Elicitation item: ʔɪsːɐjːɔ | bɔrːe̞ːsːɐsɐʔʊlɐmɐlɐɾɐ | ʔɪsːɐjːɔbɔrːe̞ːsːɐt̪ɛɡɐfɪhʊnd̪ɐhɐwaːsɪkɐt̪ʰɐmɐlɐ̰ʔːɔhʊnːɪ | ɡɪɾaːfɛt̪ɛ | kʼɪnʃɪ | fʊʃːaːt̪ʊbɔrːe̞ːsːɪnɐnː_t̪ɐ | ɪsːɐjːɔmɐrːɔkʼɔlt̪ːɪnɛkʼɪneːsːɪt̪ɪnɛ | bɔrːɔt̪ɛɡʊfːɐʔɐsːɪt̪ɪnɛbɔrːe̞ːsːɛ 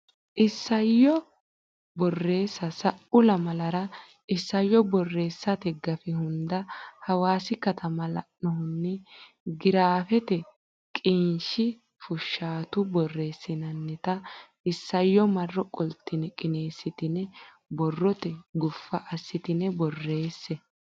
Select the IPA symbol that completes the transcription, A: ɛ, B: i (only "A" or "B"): A